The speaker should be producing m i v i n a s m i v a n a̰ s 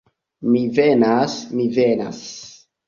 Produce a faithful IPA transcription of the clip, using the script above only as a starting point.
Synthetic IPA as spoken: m i v e n a s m i v e n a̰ s